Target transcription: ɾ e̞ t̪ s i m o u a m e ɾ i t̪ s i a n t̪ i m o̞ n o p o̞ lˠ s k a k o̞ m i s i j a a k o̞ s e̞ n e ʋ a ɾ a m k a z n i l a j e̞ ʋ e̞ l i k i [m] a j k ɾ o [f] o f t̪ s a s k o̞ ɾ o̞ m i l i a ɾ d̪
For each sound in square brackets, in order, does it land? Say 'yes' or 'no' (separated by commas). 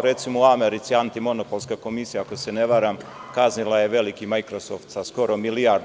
yes, no